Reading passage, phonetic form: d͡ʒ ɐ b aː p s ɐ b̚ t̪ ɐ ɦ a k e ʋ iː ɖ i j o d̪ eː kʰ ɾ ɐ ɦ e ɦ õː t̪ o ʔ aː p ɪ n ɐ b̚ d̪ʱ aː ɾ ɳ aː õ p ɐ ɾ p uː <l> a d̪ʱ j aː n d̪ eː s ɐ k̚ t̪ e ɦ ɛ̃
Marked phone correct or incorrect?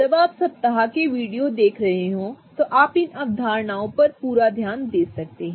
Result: incorrect